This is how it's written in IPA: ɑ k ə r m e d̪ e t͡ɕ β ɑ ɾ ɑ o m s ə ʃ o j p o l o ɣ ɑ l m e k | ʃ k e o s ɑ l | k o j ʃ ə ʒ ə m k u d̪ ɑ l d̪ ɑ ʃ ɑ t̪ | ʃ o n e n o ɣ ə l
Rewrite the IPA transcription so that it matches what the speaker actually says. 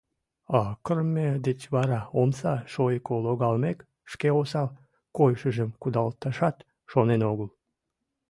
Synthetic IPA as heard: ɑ k ə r m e d̪ e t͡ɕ β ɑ ɾ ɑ o m s ɑ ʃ o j k o l o ɣ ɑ l m e k | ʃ k e o s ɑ l | k o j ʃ ə ʒ ə m k u d̪ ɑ l t̪ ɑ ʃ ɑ t̪ | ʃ o n e n o ɣ ə l